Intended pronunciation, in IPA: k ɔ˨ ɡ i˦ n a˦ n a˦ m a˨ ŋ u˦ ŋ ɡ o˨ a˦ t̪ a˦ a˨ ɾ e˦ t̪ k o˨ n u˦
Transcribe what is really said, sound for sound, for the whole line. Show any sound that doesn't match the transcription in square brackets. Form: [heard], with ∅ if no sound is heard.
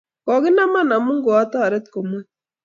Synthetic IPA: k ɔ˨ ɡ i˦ n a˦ [m] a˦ [n] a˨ [m] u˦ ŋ ɡ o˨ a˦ t̪ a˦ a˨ ɾ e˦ t̪ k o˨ [m] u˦